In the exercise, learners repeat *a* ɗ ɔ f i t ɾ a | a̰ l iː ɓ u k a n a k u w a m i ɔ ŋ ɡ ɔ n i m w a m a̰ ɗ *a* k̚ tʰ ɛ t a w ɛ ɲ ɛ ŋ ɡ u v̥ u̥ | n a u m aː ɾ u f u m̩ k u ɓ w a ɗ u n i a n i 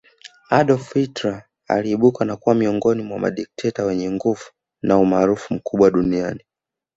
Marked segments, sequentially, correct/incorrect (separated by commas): correct, incorrect